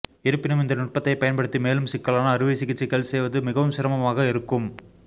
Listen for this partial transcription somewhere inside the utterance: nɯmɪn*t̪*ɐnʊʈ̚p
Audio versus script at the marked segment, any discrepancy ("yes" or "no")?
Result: yes